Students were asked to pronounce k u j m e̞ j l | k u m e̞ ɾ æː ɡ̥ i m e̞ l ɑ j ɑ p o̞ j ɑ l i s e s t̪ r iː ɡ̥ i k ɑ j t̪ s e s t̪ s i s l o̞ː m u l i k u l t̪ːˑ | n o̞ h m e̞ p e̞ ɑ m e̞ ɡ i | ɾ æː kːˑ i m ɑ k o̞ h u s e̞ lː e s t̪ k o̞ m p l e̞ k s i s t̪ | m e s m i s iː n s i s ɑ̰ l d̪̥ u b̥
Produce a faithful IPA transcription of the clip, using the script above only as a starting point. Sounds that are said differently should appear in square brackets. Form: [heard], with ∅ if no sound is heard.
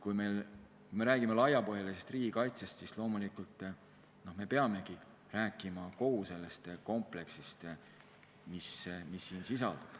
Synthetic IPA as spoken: k u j m e̞ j l | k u m e̞ ɾ æː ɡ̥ i m e̞ l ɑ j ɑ p o̞ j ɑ l i s e s t̪ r iː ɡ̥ i k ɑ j t̪ s e s t̪ s i s l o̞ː m u l i k u l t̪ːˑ | n o̞ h m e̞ p e̞ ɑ m e̞ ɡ i | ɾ æː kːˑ i m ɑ k o̞ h u s e̞ lː e s t̪ k o̞ m p l e̞ k s i s t̪ | m [i] s m i [sː] iː n s i s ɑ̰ l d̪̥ u b̥